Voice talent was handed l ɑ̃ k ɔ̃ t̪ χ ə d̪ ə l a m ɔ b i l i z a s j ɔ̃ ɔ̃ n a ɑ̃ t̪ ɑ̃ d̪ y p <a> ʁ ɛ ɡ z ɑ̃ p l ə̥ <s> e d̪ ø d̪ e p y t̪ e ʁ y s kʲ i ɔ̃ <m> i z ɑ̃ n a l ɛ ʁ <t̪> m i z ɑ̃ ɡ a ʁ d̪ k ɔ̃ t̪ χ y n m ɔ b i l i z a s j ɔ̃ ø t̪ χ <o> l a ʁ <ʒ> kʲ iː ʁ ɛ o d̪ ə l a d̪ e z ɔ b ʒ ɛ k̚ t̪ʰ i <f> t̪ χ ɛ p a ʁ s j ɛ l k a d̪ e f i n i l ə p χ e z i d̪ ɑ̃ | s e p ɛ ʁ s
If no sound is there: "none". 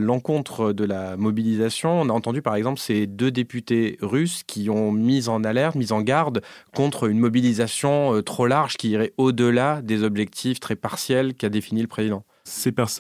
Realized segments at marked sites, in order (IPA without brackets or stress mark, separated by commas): a, s, m, t̪, o, ʒ, f